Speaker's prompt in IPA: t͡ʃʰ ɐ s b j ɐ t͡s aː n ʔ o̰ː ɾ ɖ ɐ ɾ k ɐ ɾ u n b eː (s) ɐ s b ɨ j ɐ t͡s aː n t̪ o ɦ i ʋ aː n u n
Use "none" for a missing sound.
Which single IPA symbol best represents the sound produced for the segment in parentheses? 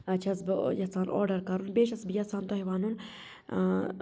ʃ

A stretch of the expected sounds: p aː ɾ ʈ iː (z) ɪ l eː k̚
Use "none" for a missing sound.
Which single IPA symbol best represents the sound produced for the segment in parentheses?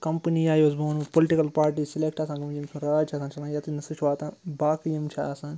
s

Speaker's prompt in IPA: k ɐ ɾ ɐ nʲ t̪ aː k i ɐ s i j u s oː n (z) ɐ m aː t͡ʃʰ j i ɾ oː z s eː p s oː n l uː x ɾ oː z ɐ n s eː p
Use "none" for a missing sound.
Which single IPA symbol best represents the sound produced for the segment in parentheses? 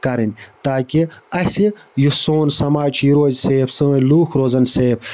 s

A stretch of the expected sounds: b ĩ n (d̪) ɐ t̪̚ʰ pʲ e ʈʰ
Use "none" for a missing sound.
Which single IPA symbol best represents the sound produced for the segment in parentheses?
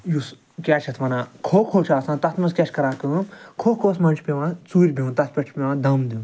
t̪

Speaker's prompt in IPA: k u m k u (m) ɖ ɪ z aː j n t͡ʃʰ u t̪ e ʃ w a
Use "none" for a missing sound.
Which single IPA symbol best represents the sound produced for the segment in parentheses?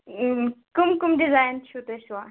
m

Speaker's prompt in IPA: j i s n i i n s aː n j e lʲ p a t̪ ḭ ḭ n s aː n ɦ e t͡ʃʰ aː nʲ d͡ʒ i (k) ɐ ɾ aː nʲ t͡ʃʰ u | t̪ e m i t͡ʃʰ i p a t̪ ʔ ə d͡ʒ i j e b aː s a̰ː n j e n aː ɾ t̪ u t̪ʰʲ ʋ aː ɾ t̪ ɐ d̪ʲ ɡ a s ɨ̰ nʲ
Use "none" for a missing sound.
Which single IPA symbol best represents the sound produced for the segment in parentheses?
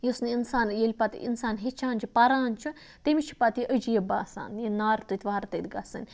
p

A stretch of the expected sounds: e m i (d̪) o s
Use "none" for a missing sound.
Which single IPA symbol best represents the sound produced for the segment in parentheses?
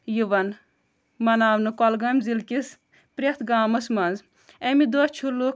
d̪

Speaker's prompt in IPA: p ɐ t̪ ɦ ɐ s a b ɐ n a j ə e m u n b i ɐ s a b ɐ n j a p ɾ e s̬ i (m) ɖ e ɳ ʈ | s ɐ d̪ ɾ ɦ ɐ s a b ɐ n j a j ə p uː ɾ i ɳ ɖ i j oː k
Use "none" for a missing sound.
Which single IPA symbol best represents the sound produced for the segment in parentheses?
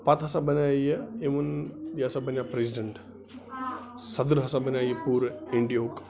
none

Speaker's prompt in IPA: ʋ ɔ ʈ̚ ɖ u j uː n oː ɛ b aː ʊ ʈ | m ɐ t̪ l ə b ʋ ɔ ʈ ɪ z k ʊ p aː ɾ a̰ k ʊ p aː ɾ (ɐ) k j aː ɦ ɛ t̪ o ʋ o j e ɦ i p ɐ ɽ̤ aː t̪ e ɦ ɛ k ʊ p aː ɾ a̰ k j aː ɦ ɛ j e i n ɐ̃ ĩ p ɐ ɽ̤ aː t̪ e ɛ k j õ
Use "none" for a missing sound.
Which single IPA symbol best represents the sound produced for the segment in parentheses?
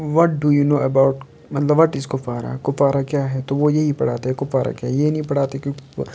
a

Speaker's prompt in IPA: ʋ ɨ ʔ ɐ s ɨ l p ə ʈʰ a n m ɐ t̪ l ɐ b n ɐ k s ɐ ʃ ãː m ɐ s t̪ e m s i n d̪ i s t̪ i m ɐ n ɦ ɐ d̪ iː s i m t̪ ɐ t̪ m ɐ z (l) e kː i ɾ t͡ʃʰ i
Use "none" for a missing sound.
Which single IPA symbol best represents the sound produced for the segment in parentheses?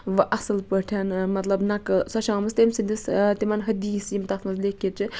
l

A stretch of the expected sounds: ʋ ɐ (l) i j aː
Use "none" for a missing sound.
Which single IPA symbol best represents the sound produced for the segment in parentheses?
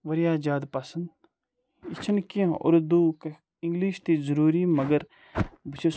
ɾ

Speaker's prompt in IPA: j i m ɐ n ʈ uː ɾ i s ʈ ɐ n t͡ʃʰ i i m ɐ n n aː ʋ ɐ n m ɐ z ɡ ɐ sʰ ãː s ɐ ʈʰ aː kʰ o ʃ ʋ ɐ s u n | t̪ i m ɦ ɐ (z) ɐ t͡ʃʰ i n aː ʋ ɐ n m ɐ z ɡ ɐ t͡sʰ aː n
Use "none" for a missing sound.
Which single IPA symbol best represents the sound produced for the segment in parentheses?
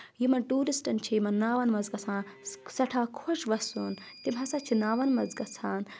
s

